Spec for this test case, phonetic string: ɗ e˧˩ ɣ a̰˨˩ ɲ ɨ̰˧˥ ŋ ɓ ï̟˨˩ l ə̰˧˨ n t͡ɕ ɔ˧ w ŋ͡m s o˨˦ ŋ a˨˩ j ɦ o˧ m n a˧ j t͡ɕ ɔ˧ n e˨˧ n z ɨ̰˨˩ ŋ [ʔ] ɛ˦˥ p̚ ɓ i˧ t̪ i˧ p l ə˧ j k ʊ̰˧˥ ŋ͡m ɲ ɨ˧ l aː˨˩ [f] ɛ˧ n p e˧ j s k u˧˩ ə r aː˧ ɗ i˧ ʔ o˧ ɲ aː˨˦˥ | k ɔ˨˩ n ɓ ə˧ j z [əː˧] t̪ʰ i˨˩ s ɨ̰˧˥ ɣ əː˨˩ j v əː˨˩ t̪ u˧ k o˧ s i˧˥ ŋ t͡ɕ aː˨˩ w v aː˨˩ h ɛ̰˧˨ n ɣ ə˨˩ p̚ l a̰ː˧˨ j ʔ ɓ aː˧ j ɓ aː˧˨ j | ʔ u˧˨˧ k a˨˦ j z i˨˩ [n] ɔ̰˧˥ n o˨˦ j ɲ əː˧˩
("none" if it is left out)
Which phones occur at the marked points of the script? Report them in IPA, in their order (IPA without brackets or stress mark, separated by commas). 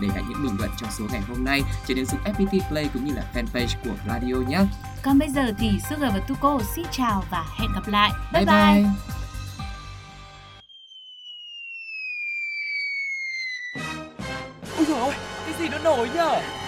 ʔ, f, əː˨˩, n